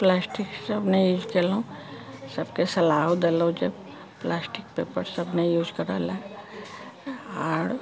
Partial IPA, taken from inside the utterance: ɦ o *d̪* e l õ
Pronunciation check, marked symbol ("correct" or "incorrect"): correct